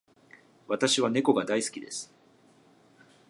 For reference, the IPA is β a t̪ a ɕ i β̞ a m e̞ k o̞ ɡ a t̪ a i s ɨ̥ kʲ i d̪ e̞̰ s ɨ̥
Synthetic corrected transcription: β a t̪ a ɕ i β̞ a n e̞ k o̞ ɡ a d̪ a i s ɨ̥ kʲ i d̪ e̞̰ s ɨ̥

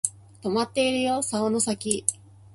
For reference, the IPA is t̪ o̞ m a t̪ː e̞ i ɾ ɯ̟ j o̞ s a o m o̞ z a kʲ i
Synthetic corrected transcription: t̪ o̞ m a t̪ː e̞ i ɾ ɯ̟ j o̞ s a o n o̞ s a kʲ i

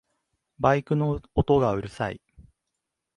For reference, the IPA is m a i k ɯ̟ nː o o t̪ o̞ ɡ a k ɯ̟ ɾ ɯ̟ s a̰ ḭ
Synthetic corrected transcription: b a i k ɯ̟ n o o t̪ o̞ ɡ a ɯ̟ ɾ ɯ̟ s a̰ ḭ

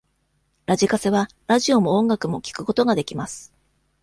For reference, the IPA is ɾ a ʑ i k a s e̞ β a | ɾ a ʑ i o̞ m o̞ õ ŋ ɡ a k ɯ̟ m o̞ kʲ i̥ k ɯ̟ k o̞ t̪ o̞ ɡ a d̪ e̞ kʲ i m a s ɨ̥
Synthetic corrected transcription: ɾ a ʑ i k a s e̞ β a | ɾ a ʑ i o̞ m o̞ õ ŋ ɡ a k ɯ̟ m o̞ kʲ i̥ k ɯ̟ k o̞ t̪ o̞ ɡ a d̪ e̞ kʲ i m a s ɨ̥

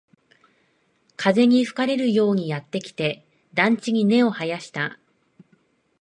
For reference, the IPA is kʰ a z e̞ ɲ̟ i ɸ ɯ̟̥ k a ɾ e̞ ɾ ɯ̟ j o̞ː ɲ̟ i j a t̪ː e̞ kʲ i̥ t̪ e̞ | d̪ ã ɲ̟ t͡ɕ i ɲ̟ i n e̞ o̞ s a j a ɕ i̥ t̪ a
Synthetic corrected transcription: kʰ a z e̞ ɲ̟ i ɸ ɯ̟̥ k a ɾ e̞ ɾ ɯ̟ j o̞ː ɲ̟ i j a t̪ː e̞ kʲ i̥ t̪ e̞ | d̪ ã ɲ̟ t͡ɕ i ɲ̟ i n e̞ o̞ h a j a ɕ i̥ t̪ a

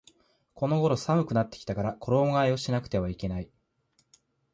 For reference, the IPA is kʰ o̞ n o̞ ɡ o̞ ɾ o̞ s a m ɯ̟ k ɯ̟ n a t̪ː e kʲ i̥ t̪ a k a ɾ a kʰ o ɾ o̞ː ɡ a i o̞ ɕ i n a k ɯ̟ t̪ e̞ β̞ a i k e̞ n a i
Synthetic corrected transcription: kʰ o̞ n o̞ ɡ o̞ ɾ o̞ s a m ɯ̟ k ɯ̟ n a t̪ː e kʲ i̥ t̪ a k a ɾ a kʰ o ɾ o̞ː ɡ a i o̞ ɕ i n a k ɯ̟ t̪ e̞ β̞ a i k e̞ n a i

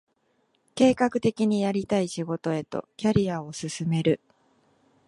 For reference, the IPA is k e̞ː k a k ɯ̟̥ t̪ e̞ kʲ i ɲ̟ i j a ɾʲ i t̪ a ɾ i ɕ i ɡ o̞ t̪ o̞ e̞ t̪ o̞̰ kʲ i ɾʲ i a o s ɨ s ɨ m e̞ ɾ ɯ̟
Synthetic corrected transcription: k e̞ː k a k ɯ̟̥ t̪ e̞ kʲ i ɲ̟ i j a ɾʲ i t̪ a i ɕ i ɡ o̞ t̪ o̞ e̞ t̪ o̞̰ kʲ a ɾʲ i a o s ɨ s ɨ m e̞ ɾ ɯ̟

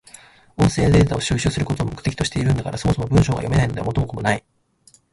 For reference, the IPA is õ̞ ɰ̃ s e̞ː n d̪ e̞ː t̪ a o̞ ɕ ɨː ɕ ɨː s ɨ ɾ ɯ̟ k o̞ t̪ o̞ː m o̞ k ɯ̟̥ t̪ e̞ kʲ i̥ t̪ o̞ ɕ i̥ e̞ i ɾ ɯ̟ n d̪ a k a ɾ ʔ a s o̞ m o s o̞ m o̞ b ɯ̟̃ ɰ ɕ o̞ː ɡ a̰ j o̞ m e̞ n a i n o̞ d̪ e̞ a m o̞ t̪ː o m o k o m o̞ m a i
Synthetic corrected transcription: õ̞ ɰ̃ s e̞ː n d̪ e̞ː t̪ a o̞ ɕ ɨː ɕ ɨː s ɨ ɾ ɯ̟ k o̞ t̪ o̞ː m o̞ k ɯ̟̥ t̪ e̞ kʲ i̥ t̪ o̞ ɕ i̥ e̞ i ɾ ɯ̟ n d̪ a k a ɾ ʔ a s o̞ m o s o̞ m o̞ b ɯ̟̃ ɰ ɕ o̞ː ɡ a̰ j o̞ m e̞ n a i n o̞ d̪ e̞ a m o̞ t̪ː o m o k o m o̞ n a i

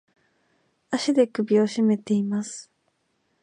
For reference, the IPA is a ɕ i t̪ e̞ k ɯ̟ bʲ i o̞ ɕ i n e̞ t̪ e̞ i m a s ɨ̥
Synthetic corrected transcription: a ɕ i d̪ e̞ k ɯ̟ bʲ i o̞ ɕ i m e̞ t̪ e̞ i m a s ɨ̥

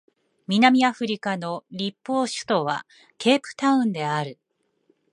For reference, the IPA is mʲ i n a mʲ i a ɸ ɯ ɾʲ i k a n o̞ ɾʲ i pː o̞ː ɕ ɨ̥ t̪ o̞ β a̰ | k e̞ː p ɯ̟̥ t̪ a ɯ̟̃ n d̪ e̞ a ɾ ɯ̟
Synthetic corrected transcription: mʲ i n a mʲ i a ɸ ɯ ɾʲ i k a n o̞ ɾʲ i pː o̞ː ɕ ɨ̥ t̪ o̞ β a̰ | k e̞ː p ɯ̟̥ t̪ a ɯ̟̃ n d̪ e̞ a ɾ ɯ̟

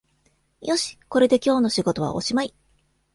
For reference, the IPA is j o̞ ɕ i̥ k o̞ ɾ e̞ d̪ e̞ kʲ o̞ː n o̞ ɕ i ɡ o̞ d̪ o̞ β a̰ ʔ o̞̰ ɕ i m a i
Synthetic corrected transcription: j o̞ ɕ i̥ k o̞ ɾ e̞ d̪ e̞ kʲ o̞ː n o̞ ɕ i ɡ o̞ t̪ o̞ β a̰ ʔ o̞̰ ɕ i m a i

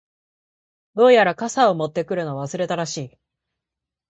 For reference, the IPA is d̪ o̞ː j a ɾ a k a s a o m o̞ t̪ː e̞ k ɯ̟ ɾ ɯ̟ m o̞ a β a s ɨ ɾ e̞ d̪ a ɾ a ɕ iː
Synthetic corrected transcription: d̪ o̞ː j a ɾ a k a s a o m o̞ t̪ː e̞ k ɯ̟ ɾ ɯ̟ n o̞ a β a s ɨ ɾ e̞ t̪ a ɾ a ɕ iː

